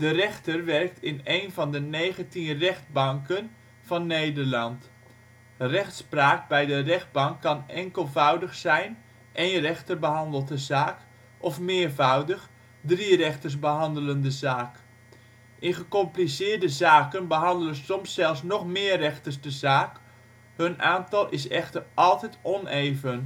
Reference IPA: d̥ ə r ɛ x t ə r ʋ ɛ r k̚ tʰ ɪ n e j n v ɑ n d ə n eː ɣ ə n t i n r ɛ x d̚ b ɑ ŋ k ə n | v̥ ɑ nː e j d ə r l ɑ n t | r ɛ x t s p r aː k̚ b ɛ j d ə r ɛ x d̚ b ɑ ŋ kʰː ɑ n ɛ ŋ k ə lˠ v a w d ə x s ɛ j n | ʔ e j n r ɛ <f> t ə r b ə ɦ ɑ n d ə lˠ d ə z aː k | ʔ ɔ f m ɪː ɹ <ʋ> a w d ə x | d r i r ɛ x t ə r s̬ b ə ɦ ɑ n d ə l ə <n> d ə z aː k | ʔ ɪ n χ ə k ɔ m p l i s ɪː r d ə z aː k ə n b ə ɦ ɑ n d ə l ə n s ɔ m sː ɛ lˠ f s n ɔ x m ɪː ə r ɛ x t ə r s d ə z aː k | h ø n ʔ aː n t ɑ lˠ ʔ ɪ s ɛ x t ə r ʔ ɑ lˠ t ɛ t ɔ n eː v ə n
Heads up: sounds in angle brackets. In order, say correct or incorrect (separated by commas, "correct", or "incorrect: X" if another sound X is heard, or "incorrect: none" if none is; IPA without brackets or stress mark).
incorrect: x, incorrect: v, correct